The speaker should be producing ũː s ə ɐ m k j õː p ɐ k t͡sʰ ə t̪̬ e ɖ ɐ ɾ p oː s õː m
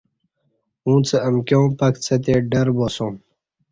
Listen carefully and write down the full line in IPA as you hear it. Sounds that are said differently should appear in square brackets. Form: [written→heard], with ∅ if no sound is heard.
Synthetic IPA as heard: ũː [s→t͡s] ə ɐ m k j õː p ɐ k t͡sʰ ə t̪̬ e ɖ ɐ ɾ [p→b] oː s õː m